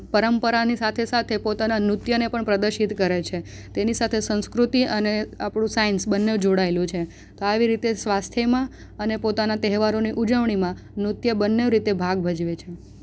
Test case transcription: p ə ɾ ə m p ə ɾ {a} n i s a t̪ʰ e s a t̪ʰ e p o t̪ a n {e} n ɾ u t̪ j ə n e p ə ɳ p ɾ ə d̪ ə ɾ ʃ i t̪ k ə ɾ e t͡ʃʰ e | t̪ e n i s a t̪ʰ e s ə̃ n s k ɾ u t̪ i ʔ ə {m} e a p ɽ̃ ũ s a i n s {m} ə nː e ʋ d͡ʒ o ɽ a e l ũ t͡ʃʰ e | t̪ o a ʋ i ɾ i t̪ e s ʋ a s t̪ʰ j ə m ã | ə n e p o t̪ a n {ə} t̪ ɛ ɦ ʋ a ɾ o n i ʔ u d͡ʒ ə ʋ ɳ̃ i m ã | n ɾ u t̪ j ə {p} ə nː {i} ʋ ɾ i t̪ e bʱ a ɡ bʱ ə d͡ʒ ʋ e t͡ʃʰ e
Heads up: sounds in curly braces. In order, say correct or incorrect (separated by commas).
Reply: correct, incorrect, incorrect, incorrect, incorrect, incorrect, incorrect